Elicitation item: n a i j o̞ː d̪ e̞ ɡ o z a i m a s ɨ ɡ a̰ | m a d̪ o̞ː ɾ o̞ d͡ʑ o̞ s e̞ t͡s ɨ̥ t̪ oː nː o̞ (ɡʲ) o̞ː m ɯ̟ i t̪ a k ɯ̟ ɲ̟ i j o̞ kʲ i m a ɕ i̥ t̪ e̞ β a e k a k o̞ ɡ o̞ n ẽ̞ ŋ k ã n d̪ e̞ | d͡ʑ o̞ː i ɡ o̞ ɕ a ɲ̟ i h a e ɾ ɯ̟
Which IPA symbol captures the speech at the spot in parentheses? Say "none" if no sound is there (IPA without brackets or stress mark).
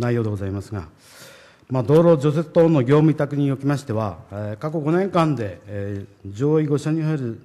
ɡʲ